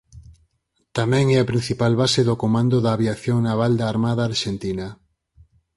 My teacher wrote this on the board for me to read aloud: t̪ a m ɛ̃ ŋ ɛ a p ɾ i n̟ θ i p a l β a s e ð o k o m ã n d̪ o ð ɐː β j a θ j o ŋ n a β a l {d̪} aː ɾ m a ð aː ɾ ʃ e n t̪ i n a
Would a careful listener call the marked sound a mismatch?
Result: no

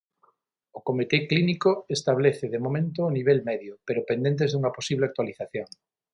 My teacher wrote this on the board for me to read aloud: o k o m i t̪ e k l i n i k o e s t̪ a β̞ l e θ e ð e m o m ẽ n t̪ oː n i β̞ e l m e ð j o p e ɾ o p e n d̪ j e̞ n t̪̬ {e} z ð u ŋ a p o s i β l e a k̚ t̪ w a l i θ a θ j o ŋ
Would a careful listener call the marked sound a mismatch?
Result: no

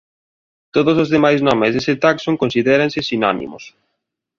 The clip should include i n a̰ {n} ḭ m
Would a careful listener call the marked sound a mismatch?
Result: no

